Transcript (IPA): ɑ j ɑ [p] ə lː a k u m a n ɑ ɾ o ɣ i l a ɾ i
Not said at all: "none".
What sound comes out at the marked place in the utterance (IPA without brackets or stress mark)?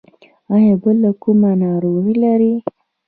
b